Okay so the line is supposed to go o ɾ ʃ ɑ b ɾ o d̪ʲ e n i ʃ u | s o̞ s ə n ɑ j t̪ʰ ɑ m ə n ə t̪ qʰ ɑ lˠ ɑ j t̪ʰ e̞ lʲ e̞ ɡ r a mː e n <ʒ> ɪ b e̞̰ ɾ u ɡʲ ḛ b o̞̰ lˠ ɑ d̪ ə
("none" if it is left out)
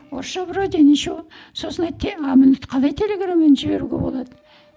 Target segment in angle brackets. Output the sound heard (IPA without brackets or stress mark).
ʒ